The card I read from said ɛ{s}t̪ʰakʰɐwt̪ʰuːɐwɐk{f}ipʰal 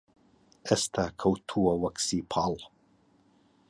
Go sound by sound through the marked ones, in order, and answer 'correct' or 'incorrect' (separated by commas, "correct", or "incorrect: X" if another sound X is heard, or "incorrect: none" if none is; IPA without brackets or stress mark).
correct, incorrect: s